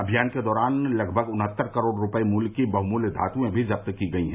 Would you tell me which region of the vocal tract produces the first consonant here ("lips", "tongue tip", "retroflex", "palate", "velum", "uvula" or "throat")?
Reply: lips